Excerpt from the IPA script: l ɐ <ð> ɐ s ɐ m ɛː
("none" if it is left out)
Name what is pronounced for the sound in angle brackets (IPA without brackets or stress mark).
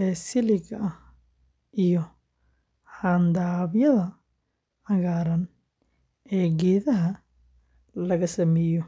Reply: ɣ